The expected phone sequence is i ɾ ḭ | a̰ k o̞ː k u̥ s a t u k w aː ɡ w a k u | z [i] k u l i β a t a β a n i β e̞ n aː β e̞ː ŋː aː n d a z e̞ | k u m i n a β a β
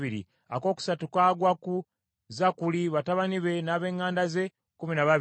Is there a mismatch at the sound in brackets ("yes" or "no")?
yes